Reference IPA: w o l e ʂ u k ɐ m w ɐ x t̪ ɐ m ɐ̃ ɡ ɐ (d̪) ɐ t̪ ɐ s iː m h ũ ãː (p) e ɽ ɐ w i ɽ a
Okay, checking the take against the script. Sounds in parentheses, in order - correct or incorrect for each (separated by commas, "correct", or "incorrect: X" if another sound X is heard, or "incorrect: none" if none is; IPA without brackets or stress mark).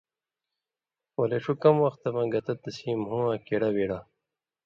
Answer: incorrect: t̪, incorrect: k